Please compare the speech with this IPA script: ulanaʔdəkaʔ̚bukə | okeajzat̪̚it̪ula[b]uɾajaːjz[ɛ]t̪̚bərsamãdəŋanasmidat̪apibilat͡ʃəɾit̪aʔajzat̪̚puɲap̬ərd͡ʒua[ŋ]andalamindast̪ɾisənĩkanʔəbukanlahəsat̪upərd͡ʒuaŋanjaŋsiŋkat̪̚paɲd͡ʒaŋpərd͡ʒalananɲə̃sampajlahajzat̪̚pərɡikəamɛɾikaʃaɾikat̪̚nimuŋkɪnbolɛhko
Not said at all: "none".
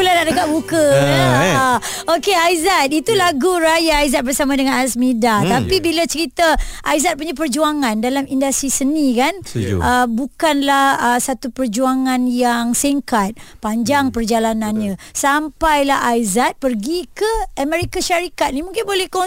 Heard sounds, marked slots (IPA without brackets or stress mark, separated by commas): ɡ, a, ŋ